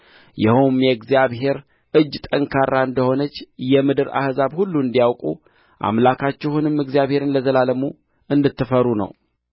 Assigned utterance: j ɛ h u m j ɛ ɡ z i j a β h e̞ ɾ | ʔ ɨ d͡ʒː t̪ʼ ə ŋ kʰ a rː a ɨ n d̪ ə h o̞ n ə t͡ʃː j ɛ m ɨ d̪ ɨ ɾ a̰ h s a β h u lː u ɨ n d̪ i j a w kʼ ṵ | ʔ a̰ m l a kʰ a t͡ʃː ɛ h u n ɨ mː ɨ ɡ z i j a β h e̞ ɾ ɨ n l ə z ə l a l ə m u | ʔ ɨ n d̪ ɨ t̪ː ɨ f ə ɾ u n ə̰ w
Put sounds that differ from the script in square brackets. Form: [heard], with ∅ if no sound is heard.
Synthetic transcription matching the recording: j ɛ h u m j ɛ ɡ z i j a β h e̞ ɾ | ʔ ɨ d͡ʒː t̪ʼ ə ŋ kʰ a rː a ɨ n d̪ ə h o̞ n ə t͡ʃː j ɛ m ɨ d̪ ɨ ɾ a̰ h [z] a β h u lː u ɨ n d̪ i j a w kʼ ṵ | ʔ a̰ m l a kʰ a t͡ʃː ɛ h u n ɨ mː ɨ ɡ z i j a β h e̞ ɾ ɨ n l ə z ə l a l ə m u | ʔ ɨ n d̪ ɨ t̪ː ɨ f ə ɾ u n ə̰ w